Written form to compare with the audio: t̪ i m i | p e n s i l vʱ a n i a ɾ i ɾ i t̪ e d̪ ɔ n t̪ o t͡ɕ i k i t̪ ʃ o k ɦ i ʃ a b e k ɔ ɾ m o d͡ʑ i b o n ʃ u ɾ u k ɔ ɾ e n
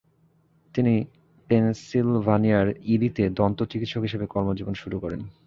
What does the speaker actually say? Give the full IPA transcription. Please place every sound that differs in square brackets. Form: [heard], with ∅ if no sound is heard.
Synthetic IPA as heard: t̪ i [n] i | p e n s i l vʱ a n i a ɾ i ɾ i t̪ e d̪ ɔ n t̪ o t͡ɕ i k i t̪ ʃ o k ɦ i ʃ [e] b e k ɔ ɾ m o d͡ʑ i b o n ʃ u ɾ u k ɔ ɾ e n

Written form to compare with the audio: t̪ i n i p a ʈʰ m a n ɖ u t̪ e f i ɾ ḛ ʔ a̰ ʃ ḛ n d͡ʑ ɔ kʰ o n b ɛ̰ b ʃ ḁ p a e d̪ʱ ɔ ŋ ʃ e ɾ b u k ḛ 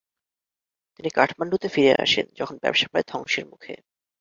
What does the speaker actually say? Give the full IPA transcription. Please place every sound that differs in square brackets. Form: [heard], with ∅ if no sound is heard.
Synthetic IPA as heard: t̪ i n i [k] a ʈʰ m a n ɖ u t̪ e f i ɾ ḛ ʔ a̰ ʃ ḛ n d͡ʑ ɔ kʰ o n b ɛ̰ b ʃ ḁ p a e d̪ʱ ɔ ŋ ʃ e ɾ [m] u [kʰ] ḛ

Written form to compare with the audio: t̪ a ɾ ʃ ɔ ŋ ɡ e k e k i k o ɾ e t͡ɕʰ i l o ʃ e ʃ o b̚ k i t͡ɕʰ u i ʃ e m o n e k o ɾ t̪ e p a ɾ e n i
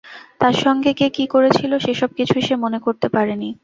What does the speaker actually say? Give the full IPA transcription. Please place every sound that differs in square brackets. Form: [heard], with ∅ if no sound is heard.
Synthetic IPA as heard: t̪ a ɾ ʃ ɔ ŋ ɡ e k e k i k o ɾ e t͡ɕʰ i l o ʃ e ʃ [ɔ] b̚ k i t͡ɕʰ u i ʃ e m o n e k o ɾ t̪ e p a ɾ e n i

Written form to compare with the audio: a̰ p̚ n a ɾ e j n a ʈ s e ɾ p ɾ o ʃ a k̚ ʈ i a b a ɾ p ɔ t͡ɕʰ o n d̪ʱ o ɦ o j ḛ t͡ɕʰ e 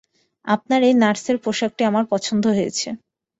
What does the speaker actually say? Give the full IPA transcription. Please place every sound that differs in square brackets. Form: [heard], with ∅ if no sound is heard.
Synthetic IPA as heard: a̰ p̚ n a ɾ e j n a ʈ s e ɾ p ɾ o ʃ a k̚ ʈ i a [m] a ɾ p ɔ t͡ɕʰ o n d̪ʱ o ɦ o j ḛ t͡ɕʰ e

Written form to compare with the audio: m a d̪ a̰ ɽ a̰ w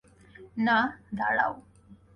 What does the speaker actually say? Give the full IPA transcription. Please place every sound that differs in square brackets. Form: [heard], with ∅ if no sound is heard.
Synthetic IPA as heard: [n] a d̪ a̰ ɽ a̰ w

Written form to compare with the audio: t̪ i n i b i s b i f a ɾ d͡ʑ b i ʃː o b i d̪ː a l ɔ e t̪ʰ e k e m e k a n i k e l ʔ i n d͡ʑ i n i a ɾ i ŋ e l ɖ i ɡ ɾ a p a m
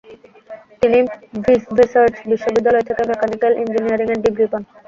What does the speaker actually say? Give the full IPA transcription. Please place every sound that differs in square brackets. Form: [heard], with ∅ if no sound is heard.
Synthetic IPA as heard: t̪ i n i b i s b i [s] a ɾ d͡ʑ b i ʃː o b i d̪ː a l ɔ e t̪ʰ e k e m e k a n i k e l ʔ i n d͡ʑ i n i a ɾ i ŋ e [ɾ] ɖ i ɡ ɾ [i] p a [n]

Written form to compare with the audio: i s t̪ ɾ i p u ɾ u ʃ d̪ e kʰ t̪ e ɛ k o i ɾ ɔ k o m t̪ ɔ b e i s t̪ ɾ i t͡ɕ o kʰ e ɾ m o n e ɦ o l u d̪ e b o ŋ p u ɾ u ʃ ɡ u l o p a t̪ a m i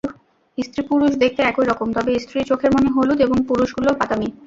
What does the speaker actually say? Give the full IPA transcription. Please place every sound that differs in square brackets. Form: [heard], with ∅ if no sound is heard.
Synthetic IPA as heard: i s t̪ ɾ i p u ɾ u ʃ d̪ e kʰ t̪ e ɛ k o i ɾ ɔ k o m t̪ ɔ b e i s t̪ ɾ i t͡ɕ o kʰ e ɾ m o n e ɦ o l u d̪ e b o ŋ p u ɾ u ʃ ɡ u l o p a t̪ a m i

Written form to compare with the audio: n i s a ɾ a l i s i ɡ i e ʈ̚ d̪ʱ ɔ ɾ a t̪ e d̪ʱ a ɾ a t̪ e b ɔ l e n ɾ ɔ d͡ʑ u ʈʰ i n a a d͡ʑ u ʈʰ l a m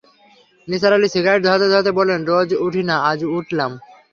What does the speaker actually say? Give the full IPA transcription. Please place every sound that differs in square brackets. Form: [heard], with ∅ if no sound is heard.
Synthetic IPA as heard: n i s a ɾ a l i s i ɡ [a] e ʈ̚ d̪ʱ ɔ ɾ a t̪ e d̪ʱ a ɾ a t̪ e b ɔ l e n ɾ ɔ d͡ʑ u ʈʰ i n a a d͡ʑ u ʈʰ l a m

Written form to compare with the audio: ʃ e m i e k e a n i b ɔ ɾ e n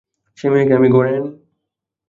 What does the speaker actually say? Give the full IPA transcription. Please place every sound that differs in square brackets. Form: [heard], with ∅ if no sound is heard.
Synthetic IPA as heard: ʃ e m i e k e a [m] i [ɡ] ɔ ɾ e n

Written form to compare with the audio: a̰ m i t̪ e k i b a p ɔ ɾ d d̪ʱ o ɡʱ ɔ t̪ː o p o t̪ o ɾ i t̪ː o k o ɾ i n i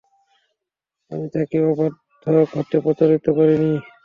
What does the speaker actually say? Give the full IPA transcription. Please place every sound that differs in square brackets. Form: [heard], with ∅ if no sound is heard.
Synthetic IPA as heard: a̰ m i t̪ [a] k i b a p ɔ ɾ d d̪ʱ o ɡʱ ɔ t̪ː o p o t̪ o ɾ i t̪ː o k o ɾ i n i

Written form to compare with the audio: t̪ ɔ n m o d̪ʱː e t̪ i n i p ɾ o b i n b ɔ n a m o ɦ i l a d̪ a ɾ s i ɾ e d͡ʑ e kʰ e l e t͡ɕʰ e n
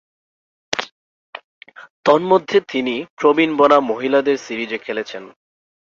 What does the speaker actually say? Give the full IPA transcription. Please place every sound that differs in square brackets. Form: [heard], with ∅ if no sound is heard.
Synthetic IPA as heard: t̪ ɔ n m o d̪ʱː e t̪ i n i p ɾ o b i n b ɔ n a m o ɦ i l a d̪ [e] ɾ s i ɾ [i] d͡ʑ e kʰ e l e t͡ɕʰ e n

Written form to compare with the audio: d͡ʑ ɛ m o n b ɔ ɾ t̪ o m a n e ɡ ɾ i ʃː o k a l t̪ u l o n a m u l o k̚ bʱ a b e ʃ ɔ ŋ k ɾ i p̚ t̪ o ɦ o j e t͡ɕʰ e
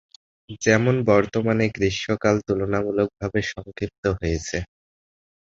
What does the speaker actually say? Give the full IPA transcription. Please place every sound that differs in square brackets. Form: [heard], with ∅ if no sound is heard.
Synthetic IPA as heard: d͡ʑ ɛ m o n b ɔ ɾ t̪ o m a n e ɡ ɾ i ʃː o k a l t̪ u l o n a m u l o k̚ bʱ a b e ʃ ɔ ŋ k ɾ i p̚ t̪ o ɦ o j e t͡ɕʰ e

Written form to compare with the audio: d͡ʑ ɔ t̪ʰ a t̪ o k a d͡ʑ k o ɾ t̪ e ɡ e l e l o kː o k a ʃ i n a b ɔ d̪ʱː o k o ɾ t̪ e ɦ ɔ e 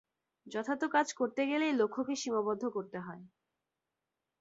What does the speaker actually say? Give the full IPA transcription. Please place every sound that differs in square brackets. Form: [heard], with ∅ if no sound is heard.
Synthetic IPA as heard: d͡ʑ ɔ t̪ʰ a t̪ o k a d͡ʑ k o ɾ t̪ e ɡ e l e l o [kʰː] o k [e] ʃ i [m] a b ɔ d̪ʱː o k o ɾ t̪ e ɦ ɔ e

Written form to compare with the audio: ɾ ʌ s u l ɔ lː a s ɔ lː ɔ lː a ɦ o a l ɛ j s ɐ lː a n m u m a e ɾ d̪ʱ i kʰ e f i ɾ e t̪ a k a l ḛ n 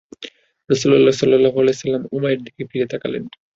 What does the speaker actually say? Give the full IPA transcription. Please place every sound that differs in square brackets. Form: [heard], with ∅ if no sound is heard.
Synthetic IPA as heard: ɾ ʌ s u l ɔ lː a s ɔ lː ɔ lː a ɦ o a l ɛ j s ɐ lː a [∅] m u m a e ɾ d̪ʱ i [k] e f i ɾ e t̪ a k a l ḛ n

